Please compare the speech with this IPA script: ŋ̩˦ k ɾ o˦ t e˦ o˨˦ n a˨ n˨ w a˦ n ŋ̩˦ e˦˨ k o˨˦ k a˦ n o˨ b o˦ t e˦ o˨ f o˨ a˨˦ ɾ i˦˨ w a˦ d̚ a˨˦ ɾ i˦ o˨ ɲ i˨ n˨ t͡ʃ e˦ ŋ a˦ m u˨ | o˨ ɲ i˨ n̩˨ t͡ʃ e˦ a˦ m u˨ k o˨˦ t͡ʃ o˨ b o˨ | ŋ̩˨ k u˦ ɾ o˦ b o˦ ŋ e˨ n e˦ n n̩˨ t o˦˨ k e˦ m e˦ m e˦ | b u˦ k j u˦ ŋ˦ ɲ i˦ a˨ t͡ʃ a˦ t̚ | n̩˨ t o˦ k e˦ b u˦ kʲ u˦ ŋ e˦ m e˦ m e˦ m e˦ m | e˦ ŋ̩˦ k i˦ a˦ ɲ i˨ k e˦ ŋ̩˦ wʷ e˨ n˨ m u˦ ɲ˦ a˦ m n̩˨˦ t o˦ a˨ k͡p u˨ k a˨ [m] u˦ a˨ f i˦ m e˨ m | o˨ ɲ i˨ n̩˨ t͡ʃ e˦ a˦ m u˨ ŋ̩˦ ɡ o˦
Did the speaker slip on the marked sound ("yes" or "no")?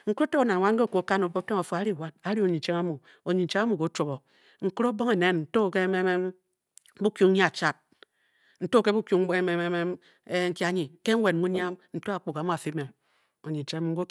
no